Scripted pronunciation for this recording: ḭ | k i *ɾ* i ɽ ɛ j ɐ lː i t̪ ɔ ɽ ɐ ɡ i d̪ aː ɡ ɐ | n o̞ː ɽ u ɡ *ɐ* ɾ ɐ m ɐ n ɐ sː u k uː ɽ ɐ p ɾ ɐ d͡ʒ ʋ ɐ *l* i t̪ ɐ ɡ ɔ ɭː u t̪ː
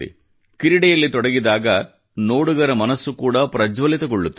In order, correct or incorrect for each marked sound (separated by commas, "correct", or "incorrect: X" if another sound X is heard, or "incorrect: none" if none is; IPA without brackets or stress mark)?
correct, correct, correct